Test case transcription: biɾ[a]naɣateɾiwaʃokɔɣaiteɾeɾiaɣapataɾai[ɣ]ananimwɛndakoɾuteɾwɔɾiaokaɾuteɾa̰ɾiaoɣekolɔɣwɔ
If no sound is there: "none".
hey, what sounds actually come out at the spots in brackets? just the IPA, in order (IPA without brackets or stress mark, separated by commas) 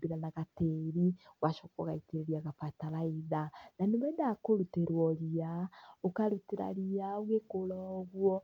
a, ð